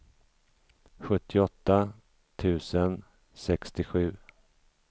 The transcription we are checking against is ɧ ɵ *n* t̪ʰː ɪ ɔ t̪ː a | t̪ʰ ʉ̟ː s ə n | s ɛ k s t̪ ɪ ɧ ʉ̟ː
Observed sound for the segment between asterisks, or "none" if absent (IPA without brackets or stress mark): none